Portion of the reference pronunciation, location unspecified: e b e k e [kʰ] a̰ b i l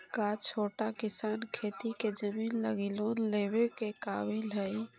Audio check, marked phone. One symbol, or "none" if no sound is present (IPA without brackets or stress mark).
k